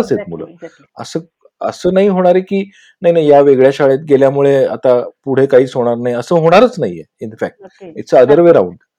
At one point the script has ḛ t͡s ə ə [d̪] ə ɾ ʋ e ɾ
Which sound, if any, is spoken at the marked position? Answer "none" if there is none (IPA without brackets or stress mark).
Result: d̪